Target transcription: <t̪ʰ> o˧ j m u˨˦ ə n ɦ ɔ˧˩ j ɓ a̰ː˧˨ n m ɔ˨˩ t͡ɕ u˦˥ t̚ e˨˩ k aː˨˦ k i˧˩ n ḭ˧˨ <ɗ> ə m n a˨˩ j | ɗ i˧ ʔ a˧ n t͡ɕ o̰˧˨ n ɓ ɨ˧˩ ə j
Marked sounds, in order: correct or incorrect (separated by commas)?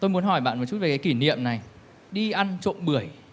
incorrect, incorrect